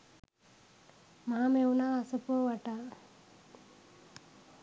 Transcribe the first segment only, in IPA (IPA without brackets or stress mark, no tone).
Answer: m